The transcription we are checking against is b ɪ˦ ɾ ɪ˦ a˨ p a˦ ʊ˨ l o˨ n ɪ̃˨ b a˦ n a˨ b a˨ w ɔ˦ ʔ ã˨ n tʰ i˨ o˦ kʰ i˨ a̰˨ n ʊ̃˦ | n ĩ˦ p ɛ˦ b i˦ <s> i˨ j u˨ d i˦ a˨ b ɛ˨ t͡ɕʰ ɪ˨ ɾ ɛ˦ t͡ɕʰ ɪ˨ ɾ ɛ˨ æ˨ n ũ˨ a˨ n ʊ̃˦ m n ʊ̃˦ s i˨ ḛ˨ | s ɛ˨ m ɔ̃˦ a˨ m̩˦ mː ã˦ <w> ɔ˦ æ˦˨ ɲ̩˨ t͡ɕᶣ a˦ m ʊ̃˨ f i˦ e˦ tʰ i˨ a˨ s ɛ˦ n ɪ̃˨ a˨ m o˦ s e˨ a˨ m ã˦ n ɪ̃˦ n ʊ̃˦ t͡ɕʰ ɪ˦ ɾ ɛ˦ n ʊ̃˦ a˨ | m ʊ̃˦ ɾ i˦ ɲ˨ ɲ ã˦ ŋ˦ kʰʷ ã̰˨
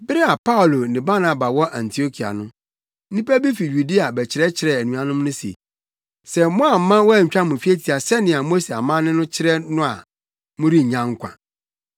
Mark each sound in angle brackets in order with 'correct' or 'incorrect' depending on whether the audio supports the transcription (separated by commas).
incorrect, correct